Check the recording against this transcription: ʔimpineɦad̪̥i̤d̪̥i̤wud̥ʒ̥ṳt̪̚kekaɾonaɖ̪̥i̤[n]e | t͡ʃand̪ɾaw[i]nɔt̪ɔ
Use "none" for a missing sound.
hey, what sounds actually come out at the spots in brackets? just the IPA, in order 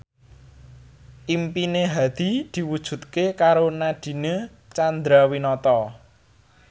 n, i

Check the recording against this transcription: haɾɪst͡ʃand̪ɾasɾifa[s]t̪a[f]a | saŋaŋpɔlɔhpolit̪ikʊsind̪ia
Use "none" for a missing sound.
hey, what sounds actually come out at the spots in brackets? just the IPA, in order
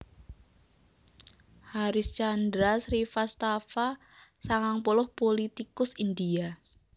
s, f

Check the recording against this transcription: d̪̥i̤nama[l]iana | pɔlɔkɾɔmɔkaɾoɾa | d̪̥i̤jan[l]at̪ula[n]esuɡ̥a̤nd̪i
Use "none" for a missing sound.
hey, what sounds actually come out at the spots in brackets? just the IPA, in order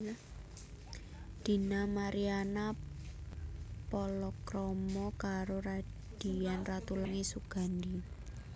ɾ, r, ŋ

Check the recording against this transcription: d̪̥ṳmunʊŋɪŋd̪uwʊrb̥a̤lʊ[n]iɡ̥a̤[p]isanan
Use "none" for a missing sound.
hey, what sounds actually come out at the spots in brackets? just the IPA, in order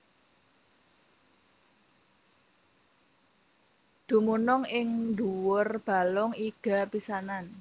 ŋ, p

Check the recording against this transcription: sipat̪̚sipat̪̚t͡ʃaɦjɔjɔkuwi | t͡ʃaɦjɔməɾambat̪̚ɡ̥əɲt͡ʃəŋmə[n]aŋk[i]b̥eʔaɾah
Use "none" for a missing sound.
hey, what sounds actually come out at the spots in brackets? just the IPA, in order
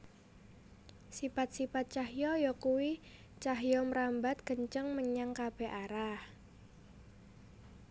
ɲ, a

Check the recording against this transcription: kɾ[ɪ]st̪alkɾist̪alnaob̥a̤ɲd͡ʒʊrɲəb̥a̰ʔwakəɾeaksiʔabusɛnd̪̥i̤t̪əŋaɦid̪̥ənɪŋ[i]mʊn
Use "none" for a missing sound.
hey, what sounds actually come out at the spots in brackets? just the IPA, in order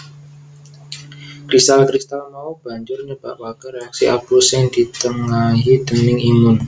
i, i

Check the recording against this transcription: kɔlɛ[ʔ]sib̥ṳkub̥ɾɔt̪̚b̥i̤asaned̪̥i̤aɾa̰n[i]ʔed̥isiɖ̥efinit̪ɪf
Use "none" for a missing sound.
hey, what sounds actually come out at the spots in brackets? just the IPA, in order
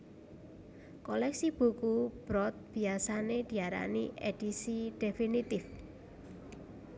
k, i

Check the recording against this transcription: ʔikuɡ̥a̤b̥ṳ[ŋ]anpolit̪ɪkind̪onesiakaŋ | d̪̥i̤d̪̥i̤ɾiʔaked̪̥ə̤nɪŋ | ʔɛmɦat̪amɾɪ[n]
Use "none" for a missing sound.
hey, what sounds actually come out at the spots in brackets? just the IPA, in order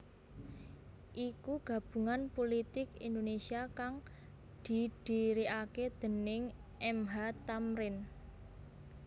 ŋ, n

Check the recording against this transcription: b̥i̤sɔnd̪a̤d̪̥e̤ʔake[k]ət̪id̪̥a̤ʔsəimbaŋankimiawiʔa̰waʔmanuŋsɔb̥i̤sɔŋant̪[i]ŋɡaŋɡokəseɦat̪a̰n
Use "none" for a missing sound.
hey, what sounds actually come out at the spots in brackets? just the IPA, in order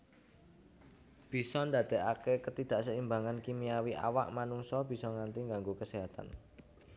k, i

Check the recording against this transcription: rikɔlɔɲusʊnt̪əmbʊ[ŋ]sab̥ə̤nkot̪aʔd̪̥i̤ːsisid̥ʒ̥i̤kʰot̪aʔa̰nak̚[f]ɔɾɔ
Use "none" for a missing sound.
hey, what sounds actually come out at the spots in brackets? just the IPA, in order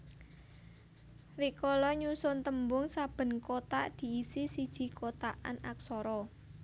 ŋ, s

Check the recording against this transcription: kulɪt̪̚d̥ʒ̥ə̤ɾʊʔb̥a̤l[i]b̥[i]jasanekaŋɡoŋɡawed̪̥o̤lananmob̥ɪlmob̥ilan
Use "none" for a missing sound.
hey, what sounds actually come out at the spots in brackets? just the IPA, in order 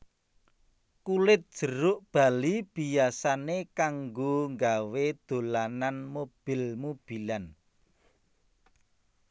i, i

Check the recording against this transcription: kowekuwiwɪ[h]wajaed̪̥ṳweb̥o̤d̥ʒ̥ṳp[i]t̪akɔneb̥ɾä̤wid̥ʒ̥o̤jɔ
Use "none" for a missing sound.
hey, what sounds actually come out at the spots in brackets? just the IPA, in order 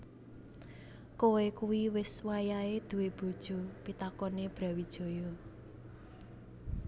s, i

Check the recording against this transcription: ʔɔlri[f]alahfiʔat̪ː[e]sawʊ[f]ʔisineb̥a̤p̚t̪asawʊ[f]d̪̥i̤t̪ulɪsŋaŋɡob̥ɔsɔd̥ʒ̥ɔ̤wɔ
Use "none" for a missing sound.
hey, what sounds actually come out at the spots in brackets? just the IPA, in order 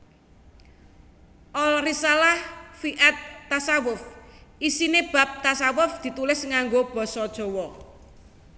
s, a, f, f

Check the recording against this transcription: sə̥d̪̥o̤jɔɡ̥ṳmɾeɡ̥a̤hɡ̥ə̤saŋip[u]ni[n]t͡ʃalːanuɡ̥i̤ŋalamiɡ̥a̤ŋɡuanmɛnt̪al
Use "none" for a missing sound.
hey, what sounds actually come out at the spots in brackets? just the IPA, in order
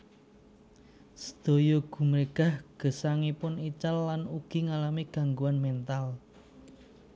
ʊ, none

